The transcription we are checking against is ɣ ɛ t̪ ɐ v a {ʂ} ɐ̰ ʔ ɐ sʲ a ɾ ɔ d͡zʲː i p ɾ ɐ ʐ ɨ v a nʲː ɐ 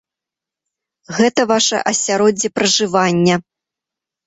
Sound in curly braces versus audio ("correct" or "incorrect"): correct